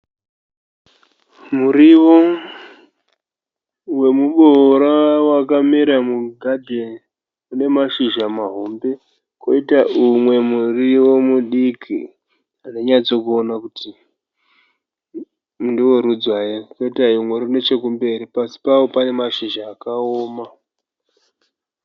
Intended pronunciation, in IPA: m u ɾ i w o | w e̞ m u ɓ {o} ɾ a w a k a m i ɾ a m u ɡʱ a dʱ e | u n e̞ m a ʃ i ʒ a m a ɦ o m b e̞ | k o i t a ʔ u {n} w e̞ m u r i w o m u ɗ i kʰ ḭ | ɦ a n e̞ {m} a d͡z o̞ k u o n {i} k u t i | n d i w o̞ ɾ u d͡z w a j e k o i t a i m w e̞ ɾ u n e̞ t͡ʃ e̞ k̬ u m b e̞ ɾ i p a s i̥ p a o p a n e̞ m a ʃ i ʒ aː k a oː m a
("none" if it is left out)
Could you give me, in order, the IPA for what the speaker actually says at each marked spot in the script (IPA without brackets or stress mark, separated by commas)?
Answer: o, m, ɲ, a